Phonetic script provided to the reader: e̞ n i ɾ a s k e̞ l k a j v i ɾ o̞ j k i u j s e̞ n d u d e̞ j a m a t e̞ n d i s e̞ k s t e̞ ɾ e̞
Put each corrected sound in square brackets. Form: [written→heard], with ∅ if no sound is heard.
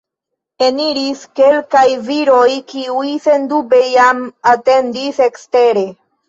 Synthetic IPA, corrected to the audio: e̞ n i ɾ [a→i] s k e̞ l k a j v i ɾ o̞ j k i u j s e̞ n d u [d→b] e̞ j a m a t e̞ n d i s e̞ k s t e̞ ɾ e̞